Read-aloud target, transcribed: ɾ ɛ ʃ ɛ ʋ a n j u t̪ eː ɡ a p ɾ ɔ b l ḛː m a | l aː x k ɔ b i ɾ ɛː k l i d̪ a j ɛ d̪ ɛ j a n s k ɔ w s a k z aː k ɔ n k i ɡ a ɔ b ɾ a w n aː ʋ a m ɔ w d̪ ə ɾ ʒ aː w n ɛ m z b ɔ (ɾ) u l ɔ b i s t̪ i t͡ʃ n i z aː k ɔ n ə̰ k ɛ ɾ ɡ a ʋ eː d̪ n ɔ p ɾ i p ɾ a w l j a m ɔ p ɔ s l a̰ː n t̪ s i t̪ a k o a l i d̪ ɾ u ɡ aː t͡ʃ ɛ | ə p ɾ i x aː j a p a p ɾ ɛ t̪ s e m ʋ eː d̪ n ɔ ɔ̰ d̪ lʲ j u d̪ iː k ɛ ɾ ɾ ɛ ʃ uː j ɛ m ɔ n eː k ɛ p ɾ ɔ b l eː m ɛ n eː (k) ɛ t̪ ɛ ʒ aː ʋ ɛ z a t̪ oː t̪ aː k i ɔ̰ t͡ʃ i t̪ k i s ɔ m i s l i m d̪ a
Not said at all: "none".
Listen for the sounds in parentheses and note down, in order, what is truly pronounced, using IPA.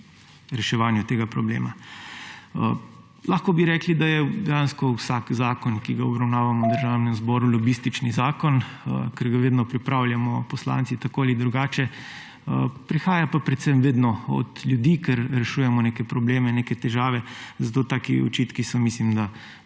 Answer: ɾ, k

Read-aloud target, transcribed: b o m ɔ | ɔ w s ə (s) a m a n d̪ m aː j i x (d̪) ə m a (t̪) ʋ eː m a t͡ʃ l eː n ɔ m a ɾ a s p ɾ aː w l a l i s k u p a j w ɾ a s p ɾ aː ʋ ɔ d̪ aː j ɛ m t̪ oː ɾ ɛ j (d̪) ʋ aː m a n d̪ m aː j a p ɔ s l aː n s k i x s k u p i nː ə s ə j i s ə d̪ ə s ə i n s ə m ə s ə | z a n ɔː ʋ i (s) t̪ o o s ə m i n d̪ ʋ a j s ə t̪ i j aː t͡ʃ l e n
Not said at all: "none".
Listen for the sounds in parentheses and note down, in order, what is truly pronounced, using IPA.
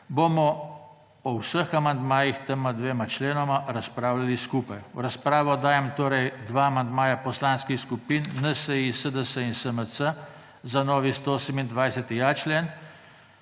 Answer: x, t̪, d̪, d̪, s

